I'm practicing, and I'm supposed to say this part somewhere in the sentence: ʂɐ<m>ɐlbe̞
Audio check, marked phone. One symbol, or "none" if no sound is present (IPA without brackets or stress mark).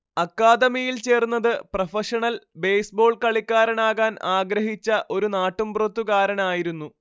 ɳ